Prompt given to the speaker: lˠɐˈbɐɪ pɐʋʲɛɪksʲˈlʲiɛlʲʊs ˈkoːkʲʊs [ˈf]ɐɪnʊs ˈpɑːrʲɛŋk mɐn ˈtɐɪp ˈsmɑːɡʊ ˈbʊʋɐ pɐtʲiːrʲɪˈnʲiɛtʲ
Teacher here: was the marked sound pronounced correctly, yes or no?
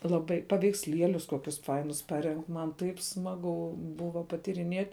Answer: yes